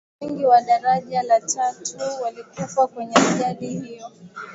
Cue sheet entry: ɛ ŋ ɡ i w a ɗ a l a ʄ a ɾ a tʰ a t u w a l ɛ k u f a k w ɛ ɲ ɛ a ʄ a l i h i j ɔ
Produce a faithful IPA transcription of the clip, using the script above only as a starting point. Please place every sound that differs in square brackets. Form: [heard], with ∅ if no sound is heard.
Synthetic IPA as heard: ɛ ŋ ɡ i w a ɗ a [ɾ] a ʄ a [l] a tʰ a t u w a l [i] k u f a k w ɛ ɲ ɛ a ʄ a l i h i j ɔ